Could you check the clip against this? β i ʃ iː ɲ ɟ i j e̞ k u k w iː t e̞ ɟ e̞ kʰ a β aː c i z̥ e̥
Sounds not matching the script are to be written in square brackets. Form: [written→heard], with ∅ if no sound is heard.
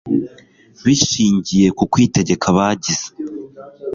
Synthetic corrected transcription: β i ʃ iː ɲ ɟ i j e̞ k u k w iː t e̞ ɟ e̞ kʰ a β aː [c→ɟ] i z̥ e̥